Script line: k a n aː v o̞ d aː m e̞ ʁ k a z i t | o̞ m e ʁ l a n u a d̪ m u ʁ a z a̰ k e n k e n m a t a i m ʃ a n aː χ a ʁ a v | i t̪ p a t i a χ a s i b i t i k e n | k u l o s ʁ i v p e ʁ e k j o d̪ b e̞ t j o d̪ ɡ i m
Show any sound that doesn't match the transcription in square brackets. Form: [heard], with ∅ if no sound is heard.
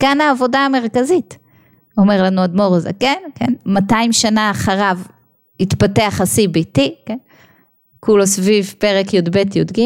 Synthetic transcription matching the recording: k a n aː v o̞ d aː m e̞ ʁ k a z i t | o̞ m e ʁ l a n u a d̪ m [o] ʁ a z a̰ k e n k e n m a t a i m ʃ a n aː χ a ʁ a v | i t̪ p a t [e] a χ a s i b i t i k e n | k u l o s [v] i v p e ʁ e k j o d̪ b e̞ t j o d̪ ɡ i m